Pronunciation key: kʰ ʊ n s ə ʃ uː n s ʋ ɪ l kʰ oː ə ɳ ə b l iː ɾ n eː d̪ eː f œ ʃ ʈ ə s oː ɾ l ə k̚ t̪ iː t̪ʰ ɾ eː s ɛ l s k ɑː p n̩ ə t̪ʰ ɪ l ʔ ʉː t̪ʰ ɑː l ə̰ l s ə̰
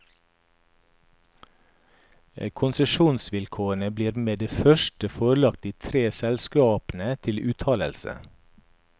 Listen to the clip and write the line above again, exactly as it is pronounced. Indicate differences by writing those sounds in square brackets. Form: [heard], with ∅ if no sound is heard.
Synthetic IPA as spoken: kʰ ʊ n s ə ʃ uː n s ʋ ɪ l kʰ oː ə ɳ ə b l iː ɾ [m] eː d̪ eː f œ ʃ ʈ ə [f] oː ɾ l [ɑ] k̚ t̪ iː t̪ʰ ɾ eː s ɛ l s k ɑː p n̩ ə t̪ʰ ɪ l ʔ ʉː t̪ʰ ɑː l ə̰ l s ə̰